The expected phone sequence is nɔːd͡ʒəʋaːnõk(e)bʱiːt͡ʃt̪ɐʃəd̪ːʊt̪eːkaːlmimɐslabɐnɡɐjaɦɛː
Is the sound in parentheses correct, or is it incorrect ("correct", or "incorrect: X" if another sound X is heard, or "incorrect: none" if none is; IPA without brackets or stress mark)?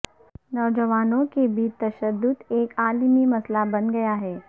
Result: correct